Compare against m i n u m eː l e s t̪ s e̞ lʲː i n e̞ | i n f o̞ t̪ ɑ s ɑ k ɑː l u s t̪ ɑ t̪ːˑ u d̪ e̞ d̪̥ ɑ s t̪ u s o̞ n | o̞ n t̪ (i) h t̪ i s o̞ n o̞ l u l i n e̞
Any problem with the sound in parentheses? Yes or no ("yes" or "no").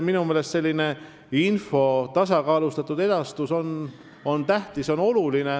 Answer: yes